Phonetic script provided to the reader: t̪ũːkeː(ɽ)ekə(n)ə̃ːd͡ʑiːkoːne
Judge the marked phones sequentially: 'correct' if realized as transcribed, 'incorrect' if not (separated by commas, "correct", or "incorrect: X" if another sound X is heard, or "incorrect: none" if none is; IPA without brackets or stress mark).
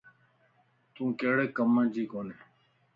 correct, incorrect: m